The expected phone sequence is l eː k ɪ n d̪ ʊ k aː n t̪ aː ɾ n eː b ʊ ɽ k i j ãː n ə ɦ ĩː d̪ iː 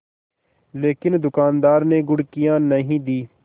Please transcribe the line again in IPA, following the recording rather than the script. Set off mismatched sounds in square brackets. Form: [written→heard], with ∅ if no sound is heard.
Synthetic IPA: l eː k ɪ n d̪ ʊ k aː n [t̪→d̪] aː ɾ n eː [b→ɡ] ʊ ɽ k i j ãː n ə ɦ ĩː d̪ iː